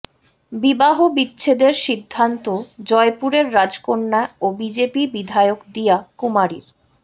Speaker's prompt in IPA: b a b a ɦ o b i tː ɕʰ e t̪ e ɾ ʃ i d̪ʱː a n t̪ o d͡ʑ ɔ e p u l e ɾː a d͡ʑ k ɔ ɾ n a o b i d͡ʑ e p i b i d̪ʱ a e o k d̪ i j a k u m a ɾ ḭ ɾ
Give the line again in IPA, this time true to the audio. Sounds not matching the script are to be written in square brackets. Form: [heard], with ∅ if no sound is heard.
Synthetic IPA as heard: b [i] b a ɦ o b i tː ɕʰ e [d̪] e ɾ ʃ i d̪ʱː a n t̪ o d͡ʑ ɔ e p u [ɾ] e ɾː a d͡ʑ k [o] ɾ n a o b i d͡ʑ e p i b i d̪ʱ a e o k d̪ i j a k u m a ɾ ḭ ɾ